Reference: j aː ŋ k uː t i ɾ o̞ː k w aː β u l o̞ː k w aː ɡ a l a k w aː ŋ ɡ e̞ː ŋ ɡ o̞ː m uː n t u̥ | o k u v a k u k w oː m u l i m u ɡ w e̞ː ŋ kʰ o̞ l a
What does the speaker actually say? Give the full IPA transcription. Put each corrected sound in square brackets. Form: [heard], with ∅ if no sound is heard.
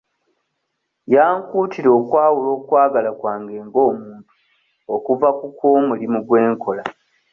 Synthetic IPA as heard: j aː ŋ k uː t i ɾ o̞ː k w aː [w] u l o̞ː k w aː ɡ a l a k w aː ŋ ɡ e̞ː ŋ ɡ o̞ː m uː n t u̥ | o k u v a k u k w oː m u l i m u ɡ w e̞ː ŋ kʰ o̞ l a